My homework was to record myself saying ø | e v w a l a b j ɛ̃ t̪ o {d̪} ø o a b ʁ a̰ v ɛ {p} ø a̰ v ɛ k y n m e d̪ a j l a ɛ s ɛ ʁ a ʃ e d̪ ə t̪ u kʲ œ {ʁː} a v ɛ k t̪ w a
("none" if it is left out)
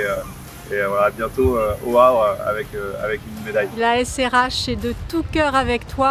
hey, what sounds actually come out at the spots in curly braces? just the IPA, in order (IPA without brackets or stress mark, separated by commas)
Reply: none, k, ʁ